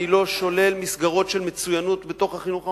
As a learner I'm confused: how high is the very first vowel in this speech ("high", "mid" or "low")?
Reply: high